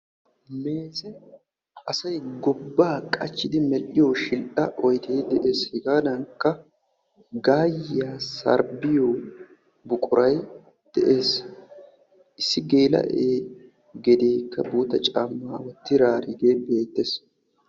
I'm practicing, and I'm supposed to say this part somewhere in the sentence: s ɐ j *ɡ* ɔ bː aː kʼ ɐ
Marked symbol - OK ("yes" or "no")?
yes